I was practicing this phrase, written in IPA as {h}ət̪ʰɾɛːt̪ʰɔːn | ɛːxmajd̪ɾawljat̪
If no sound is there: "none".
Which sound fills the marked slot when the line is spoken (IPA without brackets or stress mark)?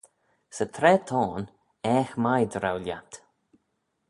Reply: s